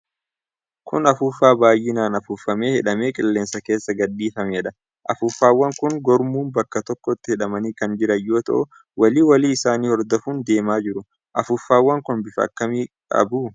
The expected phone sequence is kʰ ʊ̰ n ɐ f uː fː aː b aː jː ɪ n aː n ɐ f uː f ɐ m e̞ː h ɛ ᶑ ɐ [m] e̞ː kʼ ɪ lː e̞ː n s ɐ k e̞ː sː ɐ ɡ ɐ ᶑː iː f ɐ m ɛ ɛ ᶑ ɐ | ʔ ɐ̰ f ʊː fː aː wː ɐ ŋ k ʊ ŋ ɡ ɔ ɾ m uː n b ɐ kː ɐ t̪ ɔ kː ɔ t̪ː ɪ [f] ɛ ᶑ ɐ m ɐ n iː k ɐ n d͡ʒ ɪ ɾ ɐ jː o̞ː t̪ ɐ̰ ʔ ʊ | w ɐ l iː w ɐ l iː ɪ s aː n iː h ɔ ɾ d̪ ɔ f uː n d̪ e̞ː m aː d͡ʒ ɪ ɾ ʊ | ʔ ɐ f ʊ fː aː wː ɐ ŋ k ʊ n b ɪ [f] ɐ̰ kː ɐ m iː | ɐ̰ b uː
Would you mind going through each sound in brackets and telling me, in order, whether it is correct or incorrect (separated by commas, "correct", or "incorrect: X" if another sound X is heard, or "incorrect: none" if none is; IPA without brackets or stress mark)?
correct, incorrect: h, correct